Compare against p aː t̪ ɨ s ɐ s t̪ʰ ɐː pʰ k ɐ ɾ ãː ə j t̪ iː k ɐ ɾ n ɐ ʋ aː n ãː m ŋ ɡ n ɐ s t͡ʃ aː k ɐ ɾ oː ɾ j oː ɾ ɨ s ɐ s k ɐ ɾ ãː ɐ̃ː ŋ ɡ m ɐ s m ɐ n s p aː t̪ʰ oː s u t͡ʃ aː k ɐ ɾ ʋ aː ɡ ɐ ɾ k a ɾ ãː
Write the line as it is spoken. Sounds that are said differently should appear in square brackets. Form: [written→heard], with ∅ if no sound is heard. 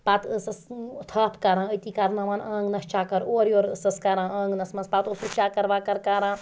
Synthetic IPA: p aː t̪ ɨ s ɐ s t̪ʰ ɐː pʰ k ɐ ɾ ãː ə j t̪ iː k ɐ ɾ n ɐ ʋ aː n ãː [m→∅] ŋ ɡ n ɐ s t͡ʃ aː k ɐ ɾ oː ɾ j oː ɾ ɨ s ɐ s k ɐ ɾ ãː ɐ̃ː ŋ ɡ [m→n] ɐ s m ɐ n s p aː [t̪ʰ→t̪] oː s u t͡ʃ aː k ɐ ɾ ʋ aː [ɡ→k] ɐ ɾ k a ɾ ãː